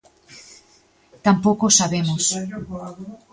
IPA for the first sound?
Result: t̪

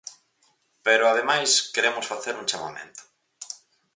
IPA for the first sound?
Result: p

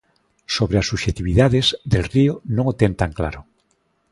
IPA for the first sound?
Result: s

